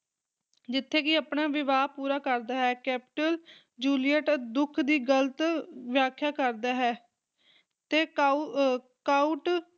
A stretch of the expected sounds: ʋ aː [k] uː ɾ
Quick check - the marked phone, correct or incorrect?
incorrect: p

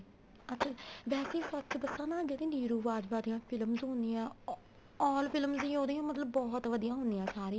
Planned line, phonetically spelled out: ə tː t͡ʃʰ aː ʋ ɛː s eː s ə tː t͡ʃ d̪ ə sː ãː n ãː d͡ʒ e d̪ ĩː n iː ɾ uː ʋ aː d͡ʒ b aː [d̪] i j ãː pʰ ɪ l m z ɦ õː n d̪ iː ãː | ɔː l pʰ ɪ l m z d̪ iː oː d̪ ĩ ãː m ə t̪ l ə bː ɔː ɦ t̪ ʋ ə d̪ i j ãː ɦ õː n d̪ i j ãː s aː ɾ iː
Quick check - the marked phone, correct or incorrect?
correct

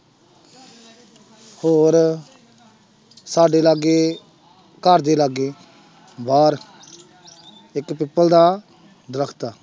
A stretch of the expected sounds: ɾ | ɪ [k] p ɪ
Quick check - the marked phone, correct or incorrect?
correct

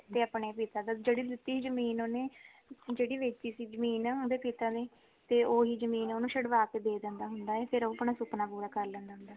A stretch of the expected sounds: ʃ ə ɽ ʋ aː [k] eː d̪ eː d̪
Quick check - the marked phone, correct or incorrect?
correct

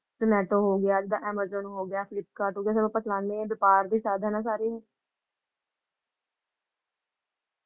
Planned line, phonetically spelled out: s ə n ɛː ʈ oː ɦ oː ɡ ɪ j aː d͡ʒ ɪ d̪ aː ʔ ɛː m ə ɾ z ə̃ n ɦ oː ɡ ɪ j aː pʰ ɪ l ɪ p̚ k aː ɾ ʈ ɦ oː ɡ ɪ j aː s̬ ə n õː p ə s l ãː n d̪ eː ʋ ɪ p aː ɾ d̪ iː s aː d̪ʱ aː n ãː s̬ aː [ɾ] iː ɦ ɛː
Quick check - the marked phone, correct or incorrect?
correct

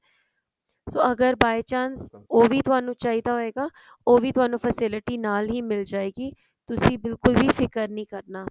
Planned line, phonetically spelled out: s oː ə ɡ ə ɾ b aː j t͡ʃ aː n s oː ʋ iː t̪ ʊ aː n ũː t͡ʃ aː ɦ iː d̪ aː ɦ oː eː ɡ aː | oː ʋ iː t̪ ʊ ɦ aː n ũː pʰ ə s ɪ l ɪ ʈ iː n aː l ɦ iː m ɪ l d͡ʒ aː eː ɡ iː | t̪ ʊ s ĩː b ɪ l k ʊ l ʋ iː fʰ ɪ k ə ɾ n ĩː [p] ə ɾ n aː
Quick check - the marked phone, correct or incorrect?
incorrect: k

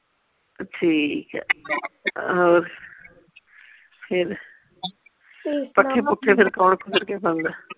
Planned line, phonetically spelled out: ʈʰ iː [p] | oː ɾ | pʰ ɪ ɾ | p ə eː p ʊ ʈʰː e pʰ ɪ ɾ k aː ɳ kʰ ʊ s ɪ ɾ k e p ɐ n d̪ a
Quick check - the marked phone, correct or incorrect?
incorrect: k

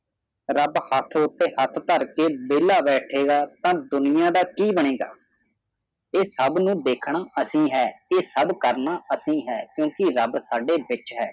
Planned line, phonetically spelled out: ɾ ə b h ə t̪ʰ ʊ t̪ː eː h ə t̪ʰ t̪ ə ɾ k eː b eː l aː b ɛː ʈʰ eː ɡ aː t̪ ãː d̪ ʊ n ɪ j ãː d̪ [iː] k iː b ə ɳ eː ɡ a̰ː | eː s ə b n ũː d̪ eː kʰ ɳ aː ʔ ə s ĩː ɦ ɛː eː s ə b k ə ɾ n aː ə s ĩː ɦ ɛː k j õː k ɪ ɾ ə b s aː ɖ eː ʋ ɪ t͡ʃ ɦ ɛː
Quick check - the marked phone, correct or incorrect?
incorrect: aː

